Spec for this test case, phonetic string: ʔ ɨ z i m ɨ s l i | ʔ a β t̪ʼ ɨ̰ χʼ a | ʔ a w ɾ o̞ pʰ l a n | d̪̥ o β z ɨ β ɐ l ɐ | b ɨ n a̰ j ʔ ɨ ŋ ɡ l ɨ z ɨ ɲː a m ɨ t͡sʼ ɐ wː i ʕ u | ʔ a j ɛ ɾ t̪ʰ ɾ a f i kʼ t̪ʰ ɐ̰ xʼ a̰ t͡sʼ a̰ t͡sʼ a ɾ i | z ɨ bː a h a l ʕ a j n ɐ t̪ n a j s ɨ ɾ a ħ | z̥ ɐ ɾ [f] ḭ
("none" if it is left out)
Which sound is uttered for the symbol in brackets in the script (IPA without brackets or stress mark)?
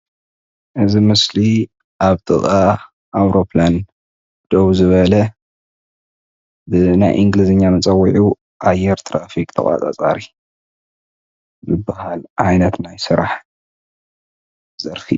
f